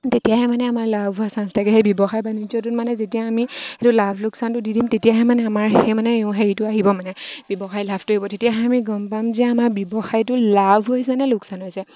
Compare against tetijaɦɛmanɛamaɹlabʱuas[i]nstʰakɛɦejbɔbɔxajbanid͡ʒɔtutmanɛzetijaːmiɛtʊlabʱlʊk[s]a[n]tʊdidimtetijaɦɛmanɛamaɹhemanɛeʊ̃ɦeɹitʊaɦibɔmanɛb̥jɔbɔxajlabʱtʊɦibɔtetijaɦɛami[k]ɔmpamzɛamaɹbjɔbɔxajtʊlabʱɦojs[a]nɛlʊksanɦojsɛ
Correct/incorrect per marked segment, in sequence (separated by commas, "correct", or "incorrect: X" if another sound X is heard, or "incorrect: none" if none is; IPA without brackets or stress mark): incorrect: a, correct, correct, incorrect: ɡ, incorrect: ɛ